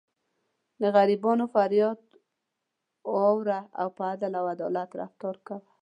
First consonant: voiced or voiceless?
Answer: voiced